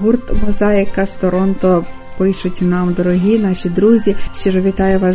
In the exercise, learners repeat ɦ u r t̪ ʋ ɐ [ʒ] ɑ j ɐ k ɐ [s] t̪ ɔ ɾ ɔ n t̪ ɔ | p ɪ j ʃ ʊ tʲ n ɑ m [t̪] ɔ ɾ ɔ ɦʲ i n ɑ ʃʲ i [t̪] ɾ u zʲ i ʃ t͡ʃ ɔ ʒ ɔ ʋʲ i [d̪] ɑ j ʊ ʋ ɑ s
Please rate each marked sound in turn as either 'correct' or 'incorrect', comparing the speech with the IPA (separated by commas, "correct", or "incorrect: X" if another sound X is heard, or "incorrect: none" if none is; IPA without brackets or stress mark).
incorrect: z, correct, incorrect: d̪, incorrect: d̪, incorrect: t̪